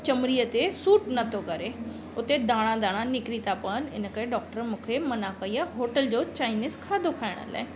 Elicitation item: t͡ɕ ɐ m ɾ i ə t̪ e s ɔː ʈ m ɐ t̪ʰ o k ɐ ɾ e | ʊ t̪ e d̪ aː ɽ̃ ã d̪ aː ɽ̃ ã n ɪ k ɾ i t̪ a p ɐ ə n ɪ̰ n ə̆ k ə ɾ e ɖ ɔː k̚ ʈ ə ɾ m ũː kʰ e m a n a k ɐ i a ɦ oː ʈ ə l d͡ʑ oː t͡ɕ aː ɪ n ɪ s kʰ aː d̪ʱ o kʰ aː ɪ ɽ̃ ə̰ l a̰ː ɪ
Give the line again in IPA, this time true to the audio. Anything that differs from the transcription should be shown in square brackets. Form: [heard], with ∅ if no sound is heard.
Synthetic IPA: t͡ɕ ɐ m ɾ i ə t̪ e s [uː] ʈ [n] ɐ t̪ʰ o k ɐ ɾ e | ʊ t̪ e d̪ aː ɽ̃ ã d̪ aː ɽ̃ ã n ɪ k ɾ i t̪ a p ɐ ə n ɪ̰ n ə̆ k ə ɾ e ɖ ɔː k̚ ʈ ə ɾ m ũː kʰ e m [ɐ] n a k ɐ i a ɦ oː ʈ ə l d͡ʑ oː t͡ɕ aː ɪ n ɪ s kʰ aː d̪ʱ o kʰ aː ɪ ɽ̃ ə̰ l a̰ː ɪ